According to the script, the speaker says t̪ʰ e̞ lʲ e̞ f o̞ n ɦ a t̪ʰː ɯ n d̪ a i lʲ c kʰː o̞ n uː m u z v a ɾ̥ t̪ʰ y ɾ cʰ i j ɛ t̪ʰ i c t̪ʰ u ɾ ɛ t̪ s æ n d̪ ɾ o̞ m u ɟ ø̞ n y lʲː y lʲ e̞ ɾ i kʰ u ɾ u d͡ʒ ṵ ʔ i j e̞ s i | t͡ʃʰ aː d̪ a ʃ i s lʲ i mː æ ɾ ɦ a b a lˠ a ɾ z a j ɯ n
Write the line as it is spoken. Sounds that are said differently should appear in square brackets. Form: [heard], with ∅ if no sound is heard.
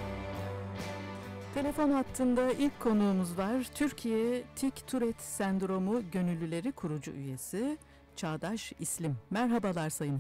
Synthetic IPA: t̪ʰ e̞ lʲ e̞ f o̞ n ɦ a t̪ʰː ɯ n d̪ a i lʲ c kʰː o̞ n uː m u z v a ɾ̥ t̪ʰ y ɾ cʰ i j ɛ t̪ʰ i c t̪ʰ u ɾ ɛ t̪ s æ n d̪ ɾ o̞ m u ɟ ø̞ n y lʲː y lʲ e̞ ɾ i kʰ u ɾ u d͡ʒ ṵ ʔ [y] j e̞ s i | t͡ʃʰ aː d̪ a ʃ i s lʲ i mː æ ɾ ɦ a b a lˠ a ɾ [s] a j ɯ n